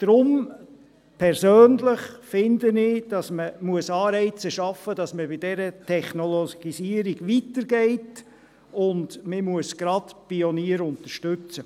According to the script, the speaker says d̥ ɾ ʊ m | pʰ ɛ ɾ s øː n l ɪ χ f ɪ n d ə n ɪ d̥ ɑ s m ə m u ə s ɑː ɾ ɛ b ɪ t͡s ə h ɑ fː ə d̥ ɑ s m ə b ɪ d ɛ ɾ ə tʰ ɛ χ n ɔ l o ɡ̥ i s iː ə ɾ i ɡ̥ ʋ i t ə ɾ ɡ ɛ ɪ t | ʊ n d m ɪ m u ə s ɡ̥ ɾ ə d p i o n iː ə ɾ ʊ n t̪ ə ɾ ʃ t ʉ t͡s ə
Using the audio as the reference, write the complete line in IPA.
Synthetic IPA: d̥ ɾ ʊ m | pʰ ɛ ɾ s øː n l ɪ χ f ɪ n d ə n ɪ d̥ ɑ s m ə m u ə s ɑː ɾ ɛ ɪ t͡s ə ʃ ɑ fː ə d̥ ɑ s m ə b ɪ d ɛ ɾ ə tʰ ɛ χ n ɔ l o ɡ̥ i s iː ə ɾ i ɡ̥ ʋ i t ə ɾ ɡ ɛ ɪ t | ʊ n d m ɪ m u ə s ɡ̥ ɾ ɑ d p i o n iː ə ɾ ʊ n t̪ ə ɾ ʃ t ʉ t͡s ə